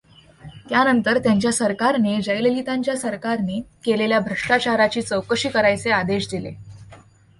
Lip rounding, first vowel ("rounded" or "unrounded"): unrounded